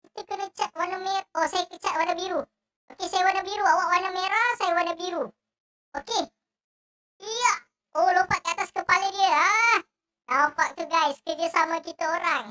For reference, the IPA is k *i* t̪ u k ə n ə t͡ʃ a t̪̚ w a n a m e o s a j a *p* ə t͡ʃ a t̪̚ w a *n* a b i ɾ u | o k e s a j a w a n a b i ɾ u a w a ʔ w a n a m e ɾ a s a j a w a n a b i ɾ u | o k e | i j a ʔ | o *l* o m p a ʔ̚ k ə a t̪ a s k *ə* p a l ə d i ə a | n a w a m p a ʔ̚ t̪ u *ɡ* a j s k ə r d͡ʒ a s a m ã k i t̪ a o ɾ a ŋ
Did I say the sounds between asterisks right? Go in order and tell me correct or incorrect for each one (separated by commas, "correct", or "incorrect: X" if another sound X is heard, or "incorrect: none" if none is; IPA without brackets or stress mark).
correct, incorrect: k, correct, correct, correct, correct